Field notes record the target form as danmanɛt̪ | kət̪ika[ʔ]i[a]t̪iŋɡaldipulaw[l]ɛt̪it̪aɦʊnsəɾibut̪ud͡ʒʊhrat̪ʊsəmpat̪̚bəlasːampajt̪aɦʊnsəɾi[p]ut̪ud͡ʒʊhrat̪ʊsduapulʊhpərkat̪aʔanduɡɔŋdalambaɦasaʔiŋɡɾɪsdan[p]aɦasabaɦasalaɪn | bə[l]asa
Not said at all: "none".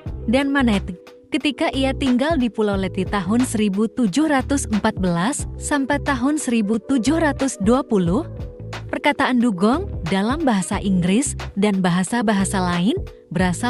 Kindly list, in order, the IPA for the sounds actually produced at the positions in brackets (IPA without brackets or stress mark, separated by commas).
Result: ʔ, a, l, b, b, ɾ